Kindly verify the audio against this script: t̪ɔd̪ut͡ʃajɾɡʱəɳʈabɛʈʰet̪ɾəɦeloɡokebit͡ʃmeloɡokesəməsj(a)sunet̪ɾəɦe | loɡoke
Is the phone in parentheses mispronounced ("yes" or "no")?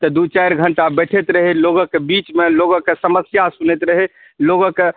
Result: no